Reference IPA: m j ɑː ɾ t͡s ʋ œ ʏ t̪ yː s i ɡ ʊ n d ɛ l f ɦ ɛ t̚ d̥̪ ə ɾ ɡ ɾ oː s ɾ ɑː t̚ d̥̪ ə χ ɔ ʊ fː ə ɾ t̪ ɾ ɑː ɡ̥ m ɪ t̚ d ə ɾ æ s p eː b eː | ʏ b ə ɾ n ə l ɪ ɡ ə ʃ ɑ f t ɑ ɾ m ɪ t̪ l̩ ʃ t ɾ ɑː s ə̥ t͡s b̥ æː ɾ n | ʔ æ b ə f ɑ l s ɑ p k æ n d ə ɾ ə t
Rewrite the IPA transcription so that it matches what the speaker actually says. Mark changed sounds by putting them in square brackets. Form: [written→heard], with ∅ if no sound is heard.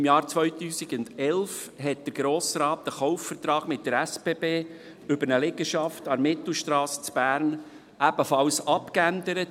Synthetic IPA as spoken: m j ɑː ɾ t͡s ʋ œ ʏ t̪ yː s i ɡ ʊ n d ɛ l f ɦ ɛ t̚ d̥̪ ə ɾ ɡ ɾ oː s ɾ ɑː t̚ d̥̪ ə χ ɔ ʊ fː ə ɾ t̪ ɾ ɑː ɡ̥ m ɪ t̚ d ə ɾ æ s p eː b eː | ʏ b ə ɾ n ə l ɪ ɡ ə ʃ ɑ f t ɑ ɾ m ɪ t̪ l̩ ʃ t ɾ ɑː s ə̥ t͡s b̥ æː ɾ n | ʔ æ b ə f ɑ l s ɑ p k æ n d ə ɾ ə t

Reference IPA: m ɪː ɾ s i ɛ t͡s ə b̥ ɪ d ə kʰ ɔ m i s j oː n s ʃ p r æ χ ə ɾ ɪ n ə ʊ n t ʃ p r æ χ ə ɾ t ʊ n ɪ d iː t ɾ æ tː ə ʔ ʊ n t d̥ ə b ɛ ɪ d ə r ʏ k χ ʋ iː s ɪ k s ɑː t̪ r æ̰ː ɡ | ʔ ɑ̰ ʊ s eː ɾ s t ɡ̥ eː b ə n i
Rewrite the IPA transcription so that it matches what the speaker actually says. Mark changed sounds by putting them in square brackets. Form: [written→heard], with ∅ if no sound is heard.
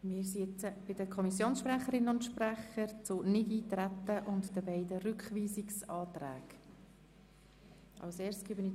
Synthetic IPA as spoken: m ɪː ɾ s i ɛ t͡s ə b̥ ɪ d ə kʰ ɔ m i s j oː n s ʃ p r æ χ ə ɾ ɪ n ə ʊ n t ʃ p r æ χ ə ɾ [t→t͡s] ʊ n ɪ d iː t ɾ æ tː ə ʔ ʊ n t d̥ ə b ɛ ɪ d ə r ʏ k χ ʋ iː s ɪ k s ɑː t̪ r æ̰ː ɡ | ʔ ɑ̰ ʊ s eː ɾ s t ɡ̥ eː b ə n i

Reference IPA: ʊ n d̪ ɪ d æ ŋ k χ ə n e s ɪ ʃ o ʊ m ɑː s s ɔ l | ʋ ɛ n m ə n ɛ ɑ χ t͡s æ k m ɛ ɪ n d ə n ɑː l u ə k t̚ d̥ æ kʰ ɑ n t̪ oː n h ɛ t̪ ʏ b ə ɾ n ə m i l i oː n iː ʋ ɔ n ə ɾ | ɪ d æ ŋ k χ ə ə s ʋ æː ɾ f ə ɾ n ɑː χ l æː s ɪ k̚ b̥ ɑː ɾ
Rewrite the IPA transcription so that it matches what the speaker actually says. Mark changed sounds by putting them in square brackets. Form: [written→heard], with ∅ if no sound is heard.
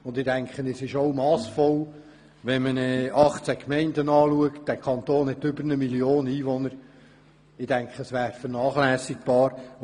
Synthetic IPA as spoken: ʊ n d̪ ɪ d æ ŋ k χ ə n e s ɪ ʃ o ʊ m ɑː s [s→f] ɔ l | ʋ ɛ n m ə n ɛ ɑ χ t͡s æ k m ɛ ɪ n d ə n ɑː l u ə k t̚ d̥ æ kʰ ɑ n t̪ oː n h ɛ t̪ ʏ b ə ɾ n ə m i l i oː n iː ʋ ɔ n ə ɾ | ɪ d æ ŋ k χ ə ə s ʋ æː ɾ f ə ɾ n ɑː χ l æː s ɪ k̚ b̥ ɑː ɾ

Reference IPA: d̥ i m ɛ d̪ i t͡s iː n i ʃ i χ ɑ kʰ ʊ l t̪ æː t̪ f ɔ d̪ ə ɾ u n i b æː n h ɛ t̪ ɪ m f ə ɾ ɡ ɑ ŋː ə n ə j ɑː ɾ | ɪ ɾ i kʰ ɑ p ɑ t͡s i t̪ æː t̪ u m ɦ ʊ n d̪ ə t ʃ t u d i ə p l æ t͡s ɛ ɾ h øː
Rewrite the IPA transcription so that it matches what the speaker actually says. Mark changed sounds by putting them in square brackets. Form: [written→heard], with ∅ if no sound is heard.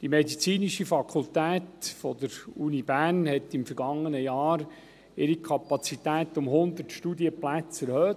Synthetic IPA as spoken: d̥ i m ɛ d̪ i t͡s iː n i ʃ i [χ→f] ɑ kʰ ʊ l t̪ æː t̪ f ɔ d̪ ə ɾ u n i b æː n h ɛ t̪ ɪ m f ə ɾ ɡ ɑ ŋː ə n ə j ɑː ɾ | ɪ ɾ i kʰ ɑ p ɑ t͡s i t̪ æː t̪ [u→ʊ] m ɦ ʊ n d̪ ə t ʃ t u d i ə p l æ t͡s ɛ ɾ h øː

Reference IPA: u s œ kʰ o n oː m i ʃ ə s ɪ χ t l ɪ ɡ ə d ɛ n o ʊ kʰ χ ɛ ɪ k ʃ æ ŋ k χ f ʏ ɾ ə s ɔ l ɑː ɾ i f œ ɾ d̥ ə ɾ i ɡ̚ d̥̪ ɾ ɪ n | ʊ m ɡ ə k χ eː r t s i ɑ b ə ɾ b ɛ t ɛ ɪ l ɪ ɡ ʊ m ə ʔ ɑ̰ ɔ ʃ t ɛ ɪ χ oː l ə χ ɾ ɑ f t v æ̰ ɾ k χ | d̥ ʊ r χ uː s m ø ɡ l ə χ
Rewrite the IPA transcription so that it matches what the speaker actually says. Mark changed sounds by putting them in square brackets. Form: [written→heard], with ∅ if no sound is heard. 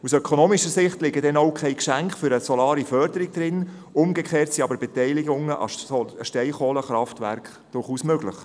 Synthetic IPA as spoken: u s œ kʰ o n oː m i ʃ ə s ɪ χ t l ɪ ɡ ə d ɛ n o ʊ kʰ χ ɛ ɪ k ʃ æ ŋ k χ f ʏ ɾ ə s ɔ l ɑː ɾ i f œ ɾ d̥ ə ɾ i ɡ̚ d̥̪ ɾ ɪ n | ʊ m ɡ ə k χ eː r t s i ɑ b ə ɾ b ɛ t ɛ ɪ l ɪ ɡ ʊ [m→ŋ] ə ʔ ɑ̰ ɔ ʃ t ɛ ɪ χ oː l ə χ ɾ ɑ f t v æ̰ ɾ k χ | d̥ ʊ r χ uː s m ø ɡ l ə χ

